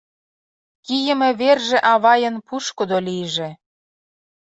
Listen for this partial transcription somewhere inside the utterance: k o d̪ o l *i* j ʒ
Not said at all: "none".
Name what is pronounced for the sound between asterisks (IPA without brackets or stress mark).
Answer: i